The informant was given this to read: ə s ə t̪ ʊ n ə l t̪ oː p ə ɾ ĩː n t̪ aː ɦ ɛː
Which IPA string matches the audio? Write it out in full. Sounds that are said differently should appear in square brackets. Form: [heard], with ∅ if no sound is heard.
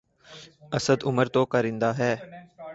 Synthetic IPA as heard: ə s ə [d̪] ʊ [m] ə [ɾ] t̪ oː [k] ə ɾ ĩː n [d̪] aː ɦ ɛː